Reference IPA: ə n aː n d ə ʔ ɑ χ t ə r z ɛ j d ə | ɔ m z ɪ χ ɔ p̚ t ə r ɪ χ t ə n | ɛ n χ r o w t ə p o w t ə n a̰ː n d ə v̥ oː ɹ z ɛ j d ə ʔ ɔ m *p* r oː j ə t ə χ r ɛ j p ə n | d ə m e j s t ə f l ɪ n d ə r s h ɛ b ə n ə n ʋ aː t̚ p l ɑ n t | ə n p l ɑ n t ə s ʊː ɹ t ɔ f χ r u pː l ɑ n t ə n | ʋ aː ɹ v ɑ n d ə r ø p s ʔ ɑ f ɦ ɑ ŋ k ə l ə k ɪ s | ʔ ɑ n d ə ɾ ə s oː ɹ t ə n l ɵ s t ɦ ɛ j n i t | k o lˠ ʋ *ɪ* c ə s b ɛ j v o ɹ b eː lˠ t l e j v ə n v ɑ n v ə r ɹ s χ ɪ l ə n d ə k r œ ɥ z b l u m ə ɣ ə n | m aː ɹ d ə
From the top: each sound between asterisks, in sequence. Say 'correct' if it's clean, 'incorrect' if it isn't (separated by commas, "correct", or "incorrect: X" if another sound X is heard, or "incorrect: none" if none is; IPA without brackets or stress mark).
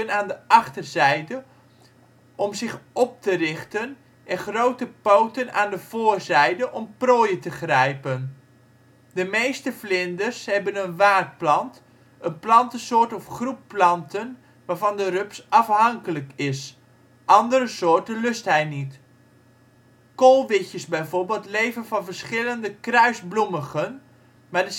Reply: correct, correct